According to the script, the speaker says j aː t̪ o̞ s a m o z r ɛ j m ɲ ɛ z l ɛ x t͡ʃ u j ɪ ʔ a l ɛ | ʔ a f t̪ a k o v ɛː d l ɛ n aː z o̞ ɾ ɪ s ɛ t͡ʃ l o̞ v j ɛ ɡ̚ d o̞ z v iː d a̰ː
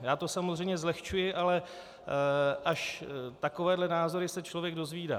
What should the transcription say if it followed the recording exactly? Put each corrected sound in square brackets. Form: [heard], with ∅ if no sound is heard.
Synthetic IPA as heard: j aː t̪ o̞ s a m o z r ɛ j m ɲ ɛ z l ɛ x t͡ʃ u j ɪ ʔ a l ɛ | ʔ a [ʃ] t̪ a k o v ɛː d l ɛ n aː z o̞ ɾ ɪ s ɛ t͡ʃ l o̞ v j ɛ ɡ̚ d o̞ z v iː d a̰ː

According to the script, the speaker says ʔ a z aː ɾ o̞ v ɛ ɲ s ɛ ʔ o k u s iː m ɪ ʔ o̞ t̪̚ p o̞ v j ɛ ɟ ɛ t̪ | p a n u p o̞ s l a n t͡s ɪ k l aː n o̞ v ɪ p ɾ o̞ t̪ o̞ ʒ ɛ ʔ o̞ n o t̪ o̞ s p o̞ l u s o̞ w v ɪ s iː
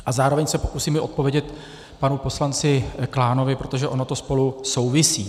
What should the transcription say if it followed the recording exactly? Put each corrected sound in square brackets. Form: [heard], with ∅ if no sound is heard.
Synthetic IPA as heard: ʔ a z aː ɾ o̞ v ɛ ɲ s ɛ [p] o k u s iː m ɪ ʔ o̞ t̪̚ p o̞ v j ɛ ɟ ɛ t̪ | p a n u p o̞ s l a n t͡s ɪ k l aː n o̞ v ɪ p ɾ o̞ t̪ o̞ ʒ ɛ ʔ o̞ n o t̪ o̞ s p o̞ l u s o̞ w v ɪ s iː

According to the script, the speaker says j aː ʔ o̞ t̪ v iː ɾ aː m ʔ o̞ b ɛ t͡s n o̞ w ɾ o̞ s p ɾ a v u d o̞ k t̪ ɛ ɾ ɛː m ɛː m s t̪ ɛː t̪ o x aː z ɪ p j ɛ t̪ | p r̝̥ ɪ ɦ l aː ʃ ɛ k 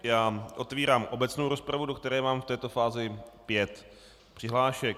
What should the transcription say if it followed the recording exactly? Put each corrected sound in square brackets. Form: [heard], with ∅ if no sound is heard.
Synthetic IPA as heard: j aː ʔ o̞ t̪ v iː ɾ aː m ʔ o̞ b ɛ t͡s n o̞ w ɾ o̞ s p ɾ a v u d o̞ k t̪ ɛ ɾ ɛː m [aː] m [f] t̪ ɛː t̪ o [f] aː z ɪ p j ɛ t̪ | p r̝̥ ɪ ɦ l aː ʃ ɛ k

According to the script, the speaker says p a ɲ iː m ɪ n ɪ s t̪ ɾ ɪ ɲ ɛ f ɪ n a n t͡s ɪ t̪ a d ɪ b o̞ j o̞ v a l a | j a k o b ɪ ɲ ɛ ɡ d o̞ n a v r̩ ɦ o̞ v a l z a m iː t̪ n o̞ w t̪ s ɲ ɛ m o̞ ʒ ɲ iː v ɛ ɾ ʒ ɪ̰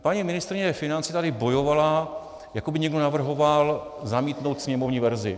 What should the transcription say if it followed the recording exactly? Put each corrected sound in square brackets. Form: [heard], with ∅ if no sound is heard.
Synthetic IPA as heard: p a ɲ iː m ɪ n ɪ s t̪ ɾ ɪ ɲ ɛ f ɪ n a n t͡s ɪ t̪ a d ɪ b o̞ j o̞ v a l a | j a k o b ɪ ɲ ɛ ɡ d o̞ n a v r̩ ɦ o̞ v a l z a m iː t̪ n o̞ w t̪ s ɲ ɛ m o̞ [v] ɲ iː v ɛ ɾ [z] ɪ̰

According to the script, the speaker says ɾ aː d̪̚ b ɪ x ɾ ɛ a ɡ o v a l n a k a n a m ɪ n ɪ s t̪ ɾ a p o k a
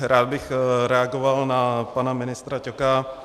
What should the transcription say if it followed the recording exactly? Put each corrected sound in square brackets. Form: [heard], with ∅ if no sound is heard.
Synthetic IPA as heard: ɾ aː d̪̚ b ɪ x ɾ ɛ a ɡ o v a l n a [p] a n a m ɪ n ɪ s t̪ ɾ a [c] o k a

